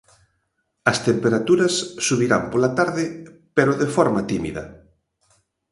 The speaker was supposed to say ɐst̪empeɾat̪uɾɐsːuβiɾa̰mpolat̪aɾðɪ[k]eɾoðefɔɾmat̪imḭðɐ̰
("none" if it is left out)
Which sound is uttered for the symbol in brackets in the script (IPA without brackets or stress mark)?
p